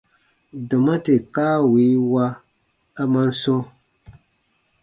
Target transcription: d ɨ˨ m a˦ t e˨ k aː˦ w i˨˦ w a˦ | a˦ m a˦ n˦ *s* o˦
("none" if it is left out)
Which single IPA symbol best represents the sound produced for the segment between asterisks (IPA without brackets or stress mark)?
s